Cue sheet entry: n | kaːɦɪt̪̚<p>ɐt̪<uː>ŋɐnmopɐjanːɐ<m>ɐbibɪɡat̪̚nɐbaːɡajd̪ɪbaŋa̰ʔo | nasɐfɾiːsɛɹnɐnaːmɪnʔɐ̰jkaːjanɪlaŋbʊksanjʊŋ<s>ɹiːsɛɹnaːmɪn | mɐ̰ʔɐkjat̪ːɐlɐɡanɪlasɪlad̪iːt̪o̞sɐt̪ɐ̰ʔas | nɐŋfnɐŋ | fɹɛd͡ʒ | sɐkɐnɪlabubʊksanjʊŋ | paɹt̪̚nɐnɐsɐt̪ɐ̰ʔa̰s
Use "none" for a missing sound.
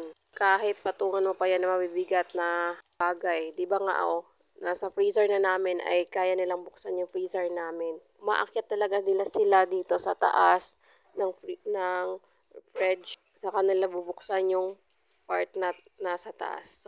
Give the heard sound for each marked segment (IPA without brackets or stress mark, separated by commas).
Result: p, uː, m, f